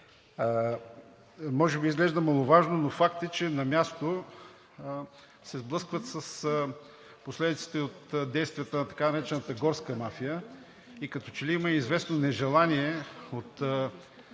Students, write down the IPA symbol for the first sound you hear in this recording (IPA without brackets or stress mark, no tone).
m